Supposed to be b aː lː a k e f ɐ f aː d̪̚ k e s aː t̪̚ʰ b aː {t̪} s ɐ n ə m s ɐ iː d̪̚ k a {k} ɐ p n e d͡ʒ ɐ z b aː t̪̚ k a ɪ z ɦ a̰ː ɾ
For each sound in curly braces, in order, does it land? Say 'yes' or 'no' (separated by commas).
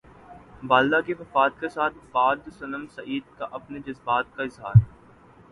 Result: no, no